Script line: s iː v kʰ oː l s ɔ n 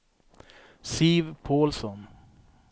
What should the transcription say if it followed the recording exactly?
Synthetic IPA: s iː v pʰ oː l s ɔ n